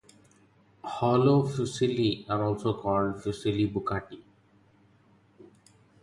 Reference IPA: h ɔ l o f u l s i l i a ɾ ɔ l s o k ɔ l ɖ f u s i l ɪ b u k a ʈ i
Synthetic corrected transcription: h ɔ l o f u s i l i a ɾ ɔ l s o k ɔ l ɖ f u s i l i b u k a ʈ i